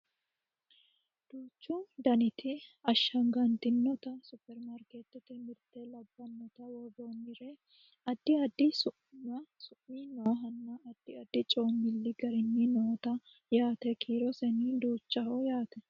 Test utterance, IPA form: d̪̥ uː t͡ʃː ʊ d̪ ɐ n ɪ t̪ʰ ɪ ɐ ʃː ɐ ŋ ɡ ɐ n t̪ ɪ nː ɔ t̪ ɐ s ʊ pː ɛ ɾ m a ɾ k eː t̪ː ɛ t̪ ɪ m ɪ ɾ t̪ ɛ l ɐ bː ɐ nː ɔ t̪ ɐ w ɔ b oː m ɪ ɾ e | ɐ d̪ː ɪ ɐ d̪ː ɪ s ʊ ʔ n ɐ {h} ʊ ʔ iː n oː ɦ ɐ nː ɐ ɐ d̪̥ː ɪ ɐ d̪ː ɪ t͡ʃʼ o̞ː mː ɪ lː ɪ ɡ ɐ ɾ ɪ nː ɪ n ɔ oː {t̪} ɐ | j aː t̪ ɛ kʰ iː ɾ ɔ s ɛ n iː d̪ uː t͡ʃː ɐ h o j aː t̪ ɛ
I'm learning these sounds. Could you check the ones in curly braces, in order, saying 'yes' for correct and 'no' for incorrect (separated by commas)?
no, yes